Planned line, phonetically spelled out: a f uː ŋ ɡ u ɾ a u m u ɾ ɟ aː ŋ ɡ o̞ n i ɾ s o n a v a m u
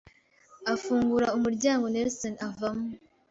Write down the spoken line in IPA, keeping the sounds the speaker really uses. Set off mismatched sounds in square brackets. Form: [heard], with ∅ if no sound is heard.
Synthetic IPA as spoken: a f uː ŋ ɡ u ɾ a u m u ɾ ɟ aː ŋ ɡ o̞ n [e] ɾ s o n a v a m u